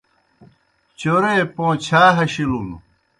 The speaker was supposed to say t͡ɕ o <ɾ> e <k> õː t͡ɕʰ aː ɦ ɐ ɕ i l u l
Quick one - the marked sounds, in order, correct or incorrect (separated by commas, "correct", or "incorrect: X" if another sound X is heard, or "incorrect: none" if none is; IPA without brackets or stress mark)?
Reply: correct, incorrect: p